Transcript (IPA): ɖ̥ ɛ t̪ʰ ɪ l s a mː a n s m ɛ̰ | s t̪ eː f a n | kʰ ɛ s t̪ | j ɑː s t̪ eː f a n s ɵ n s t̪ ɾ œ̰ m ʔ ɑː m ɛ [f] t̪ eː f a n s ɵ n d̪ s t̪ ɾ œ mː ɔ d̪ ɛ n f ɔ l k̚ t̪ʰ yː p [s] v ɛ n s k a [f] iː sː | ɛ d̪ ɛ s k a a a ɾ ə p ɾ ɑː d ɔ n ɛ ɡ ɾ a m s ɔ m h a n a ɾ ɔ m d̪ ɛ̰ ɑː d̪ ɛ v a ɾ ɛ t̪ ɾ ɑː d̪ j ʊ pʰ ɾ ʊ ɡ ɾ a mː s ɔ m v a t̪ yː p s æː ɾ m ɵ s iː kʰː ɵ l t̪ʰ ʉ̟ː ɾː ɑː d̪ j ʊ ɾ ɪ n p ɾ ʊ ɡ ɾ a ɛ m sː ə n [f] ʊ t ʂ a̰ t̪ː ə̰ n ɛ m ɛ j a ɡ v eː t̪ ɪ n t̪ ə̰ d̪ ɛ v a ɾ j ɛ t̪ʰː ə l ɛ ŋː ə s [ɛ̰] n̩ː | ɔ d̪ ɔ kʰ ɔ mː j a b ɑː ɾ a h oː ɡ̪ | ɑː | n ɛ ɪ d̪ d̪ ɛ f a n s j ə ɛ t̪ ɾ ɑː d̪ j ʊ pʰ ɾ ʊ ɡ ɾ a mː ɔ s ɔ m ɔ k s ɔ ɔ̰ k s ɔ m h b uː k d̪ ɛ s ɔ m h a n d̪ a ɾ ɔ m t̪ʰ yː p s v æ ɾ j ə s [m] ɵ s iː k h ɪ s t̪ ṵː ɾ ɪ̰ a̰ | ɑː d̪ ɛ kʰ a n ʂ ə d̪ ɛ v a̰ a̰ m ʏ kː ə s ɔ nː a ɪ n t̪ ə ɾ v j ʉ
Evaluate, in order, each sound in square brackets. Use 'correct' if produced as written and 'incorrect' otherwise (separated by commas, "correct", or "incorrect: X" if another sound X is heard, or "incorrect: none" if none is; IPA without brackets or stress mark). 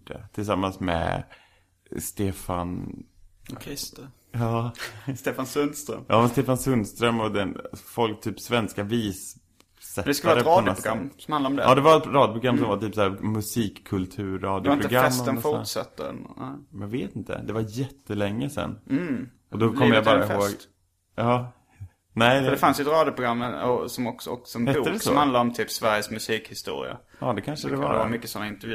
incorrect: s, correct, incorrect: v, correct, correct, correct